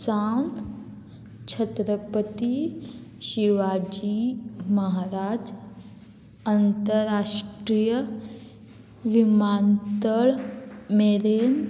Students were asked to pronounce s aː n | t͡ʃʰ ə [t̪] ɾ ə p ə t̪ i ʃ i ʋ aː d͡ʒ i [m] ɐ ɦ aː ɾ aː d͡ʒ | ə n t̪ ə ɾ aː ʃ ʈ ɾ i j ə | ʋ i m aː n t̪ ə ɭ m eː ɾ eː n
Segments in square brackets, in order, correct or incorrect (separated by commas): correct, correct